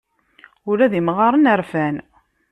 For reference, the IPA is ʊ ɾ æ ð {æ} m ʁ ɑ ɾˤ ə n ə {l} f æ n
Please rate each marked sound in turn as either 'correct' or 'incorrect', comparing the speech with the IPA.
incorrect, incorrect

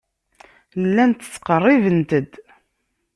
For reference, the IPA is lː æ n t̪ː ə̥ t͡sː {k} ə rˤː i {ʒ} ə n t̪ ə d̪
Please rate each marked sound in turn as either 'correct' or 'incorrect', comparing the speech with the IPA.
incorrect, incorrect

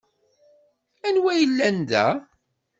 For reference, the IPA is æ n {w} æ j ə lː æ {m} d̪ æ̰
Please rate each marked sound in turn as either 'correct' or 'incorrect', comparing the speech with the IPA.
correct, incorrect

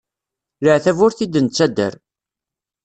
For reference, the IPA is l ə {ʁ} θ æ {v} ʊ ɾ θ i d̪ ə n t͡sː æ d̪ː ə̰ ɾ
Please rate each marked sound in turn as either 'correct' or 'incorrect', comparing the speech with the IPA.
incorrect, correct

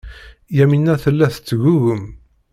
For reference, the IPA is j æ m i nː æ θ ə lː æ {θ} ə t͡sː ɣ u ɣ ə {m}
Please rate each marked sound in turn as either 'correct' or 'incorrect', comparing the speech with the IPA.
correct, correct

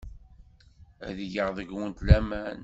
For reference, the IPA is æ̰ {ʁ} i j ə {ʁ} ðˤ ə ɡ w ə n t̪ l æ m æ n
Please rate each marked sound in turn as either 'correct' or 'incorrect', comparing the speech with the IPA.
incorrect, correct

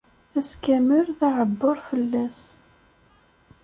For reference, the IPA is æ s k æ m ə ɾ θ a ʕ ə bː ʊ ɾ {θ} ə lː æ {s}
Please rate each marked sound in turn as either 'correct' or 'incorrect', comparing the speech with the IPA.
incorrect, correct

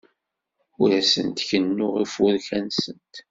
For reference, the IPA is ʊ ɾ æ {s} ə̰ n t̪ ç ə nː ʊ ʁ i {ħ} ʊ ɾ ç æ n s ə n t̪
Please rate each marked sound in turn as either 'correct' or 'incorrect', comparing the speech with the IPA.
correct, incorrect

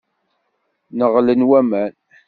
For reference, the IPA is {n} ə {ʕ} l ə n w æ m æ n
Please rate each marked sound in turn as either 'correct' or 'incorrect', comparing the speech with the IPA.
correct, incorrect

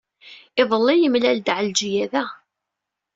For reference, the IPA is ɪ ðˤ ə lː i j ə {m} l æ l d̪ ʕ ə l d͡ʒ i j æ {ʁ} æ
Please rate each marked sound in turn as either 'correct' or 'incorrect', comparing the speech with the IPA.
correct, incorrect

